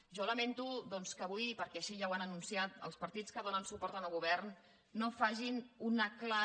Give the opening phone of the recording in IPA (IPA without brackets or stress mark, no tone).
ʒ